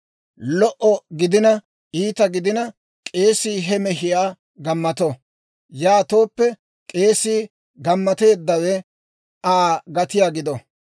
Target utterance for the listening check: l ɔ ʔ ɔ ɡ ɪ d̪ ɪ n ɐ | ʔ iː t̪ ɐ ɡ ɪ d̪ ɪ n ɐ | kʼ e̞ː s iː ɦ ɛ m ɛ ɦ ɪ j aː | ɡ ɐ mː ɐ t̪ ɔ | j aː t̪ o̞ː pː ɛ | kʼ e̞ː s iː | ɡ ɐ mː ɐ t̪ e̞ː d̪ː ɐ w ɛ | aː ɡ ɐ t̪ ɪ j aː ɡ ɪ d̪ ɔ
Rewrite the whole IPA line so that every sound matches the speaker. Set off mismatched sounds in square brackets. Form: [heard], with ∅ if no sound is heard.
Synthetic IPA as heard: l ɔ ʔ ɔ ɡ ɪ d̪ ɪ n ɐ | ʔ iː t̪ ɐ ɡ ɪ d̪ ɪ n ɐ | kʼ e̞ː s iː ɦ ɛ m ɛ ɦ ɪ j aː | ɡ ɐ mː ɐ t̪ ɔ | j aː t̪ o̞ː pː ɛ | kʼ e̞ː s iː | ɡ ɐ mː ɐ t̪ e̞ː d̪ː ɐ w ɛ | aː ɡ ɐ t̪ ɪ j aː ɡ ɪ d̪ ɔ